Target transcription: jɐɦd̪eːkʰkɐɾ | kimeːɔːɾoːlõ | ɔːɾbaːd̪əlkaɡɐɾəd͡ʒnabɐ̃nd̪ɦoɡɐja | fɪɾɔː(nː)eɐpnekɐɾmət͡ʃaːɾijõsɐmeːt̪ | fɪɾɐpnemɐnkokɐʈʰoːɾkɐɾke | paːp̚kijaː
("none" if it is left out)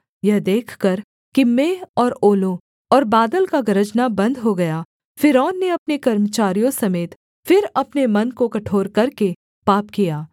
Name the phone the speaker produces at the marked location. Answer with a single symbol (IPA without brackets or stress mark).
nː